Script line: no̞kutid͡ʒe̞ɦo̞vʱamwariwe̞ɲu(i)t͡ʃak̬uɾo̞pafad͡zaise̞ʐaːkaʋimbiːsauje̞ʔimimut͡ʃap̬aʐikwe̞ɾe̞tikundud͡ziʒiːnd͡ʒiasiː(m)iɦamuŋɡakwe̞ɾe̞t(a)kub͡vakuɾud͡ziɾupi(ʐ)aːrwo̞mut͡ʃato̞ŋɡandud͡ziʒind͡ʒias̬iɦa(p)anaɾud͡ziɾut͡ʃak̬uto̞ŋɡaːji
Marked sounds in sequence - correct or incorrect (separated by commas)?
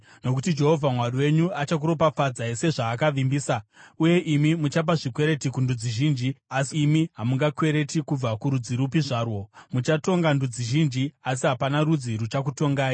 incorrect, correct, incorrect, correct, correct